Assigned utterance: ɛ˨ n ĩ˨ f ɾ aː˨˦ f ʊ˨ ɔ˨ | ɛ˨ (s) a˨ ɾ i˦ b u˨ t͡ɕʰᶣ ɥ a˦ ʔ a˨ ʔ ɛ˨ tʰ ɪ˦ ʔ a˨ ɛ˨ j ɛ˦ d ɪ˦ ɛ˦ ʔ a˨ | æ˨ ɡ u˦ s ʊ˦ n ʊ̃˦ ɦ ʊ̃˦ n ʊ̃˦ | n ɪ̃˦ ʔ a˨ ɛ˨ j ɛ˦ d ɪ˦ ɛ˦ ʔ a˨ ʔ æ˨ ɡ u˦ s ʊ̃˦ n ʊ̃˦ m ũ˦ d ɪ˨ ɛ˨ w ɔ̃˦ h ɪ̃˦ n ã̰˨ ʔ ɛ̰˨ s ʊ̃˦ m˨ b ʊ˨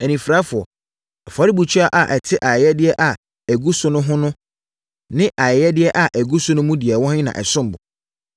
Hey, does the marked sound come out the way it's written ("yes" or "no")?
no